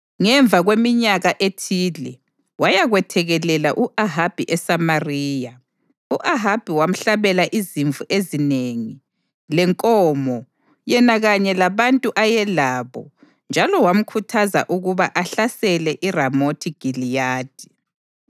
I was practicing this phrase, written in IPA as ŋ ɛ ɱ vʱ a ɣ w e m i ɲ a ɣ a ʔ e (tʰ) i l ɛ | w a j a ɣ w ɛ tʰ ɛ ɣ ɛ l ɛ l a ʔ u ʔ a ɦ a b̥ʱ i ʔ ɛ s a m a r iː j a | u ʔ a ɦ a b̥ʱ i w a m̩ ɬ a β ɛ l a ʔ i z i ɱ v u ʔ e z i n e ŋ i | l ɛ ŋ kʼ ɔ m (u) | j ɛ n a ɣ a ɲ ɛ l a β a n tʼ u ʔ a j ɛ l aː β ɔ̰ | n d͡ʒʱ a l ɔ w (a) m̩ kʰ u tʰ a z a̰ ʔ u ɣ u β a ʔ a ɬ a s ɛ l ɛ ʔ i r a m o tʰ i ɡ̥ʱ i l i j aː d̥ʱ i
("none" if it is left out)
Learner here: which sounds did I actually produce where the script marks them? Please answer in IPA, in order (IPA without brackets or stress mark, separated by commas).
tʰ, ɔ, a